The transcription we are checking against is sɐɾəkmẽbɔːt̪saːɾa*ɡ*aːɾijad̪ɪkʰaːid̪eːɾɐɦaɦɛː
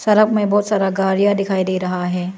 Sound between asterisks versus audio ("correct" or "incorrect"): correct